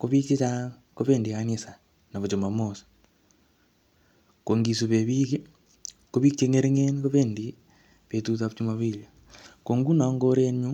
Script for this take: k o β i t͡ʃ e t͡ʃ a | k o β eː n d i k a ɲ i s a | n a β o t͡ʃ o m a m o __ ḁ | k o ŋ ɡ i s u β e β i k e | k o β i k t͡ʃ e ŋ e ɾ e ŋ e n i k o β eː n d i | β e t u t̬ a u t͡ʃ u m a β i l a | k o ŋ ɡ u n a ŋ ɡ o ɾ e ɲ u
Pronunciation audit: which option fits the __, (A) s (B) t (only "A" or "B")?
A